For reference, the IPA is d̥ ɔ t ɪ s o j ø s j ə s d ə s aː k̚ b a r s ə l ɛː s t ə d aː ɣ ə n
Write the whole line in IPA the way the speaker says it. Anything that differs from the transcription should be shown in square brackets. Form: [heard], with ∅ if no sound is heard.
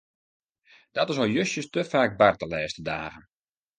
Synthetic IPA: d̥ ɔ t ɪ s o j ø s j ə s [t] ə [f] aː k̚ b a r [t] ə l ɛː s t ə d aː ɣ ə n